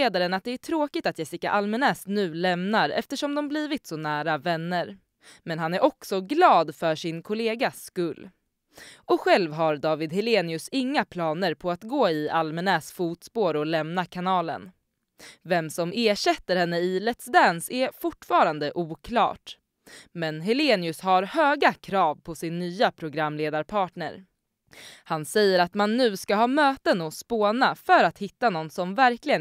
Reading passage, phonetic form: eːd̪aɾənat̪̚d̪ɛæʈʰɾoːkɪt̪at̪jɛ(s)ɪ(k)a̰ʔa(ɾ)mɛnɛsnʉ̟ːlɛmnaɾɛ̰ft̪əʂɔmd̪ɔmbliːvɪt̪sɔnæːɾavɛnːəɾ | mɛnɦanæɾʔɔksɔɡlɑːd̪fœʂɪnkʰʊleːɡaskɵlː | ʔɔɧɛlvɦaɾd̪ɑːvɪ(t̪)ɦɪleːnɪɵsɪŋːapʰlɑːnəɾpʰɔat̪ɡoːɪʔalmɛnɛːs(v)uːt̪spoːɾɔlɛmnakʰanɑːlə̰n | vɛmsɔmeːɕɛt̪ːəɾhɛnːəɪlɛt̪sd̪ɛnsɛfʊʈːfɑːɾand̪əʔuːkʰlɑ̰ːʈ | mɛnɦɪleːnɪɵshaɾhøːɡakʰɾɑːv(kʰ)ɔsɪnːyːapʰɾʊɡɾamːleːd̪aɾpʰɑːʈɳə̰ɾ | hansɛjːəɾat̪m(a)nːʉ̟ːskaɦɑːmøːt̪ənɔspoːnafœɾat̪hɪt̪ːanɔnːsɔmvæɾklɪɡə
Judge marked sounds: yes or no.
yes, yes, no, no, no, no, yes

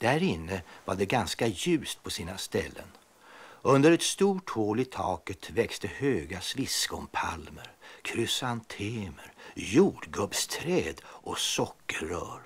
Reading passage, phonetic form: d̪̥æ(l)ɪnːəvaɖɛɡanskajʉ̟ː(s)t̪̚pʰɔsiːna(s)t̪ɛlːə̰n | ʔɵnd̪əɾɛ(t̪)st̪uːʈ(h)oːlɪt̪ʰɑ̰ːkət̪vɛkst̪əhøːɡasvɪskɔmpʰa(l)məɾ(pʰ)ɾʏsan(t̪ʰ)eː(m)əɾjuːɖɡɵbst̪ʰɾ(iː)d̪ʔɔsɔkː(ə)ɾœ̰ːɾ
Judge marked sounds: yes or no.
no, yes, yes, yes, yes, yes, no, yes, yes, no, yes

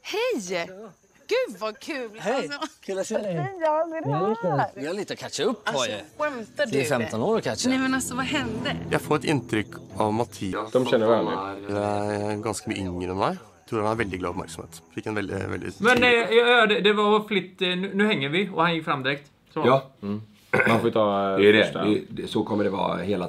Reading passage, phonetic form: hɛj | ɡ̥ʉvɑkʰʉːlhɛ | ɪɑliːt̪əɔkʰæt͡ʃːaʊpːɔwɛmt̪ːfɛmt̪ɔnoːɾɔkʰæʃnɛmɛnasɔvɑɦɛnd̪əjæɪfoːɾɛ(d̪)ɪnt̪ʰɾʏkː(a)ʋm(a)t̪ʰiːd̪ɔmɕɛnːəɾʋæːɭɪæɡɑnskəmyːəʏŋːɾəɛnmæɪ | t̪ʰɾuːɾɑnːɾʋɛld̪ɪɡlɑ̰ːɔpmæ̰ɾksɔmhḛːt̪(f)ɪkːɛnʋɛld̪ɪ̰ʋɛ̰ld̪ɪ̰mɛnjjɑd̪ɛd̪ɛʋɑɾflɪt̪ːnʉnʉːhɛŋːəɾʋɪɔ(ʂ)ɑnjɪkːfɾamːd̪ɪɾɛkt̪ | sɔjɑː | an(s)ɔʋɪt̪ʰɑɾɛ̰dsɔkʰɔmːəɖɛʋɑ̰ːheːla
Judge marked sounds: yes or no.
no, no, no, yes, no, no

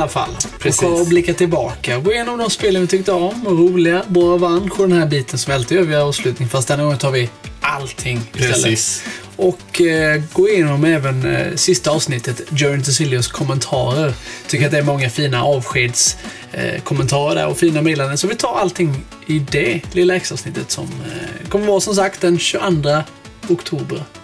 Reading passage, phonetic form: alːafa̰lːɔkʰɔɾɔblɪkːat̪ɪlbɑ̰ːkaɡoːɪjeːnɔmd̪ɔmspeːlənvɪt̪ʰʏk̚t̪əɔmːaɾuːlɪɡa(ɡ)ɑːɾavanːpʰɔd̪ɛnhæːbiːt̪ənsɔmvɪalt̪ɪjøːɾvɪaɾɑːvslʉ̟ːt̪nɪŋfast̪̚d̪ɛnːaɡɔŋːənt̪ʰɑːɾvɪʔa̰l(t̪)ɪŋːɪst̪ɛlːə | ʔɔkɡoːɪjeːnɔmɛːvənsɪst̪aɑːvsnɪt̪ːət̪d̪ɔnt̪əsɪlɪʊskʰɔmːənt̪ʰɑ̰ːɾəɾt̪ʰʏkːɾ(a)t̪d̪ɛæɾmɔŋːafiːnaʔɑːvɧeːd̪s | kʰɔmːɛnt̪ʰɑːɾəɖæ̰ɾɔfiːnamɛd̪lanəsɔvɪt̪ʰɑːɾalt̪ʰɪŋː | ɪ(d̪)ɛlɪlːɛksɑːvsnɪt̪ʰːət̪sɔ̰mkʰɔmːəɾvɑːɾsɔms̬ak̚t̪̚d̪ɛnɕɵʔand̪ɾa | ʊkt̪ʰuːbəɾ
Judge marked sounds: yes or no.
no, no, yes, yes

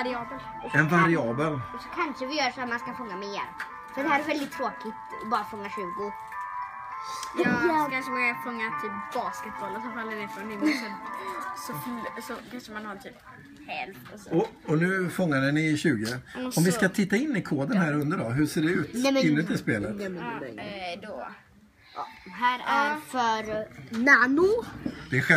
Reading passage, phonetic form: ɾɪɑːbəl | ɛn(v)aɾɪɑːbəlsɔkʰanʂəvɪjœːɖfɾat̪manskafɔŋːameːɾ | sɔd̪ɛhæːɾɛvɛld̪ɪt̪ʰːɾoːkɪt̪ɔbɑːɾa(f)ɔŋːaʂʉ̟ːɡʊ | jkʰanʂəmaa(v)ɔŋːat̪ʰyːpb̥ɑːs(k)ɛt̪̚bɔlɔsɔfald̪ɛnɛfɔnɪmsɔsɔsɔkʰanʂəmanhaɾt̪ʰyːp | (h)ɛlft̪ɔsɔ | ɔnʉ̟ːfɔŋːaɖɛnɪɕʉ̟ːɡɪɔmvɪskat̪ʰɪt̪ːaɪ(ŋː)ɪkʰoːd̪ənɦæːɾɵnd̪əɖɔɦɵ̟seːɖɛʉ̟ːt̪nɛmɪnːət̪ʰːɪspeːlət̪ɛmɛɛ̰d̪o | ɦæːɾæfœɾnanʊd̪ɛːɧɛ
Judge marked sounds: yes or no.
yes, yes, no, yes, yes, no

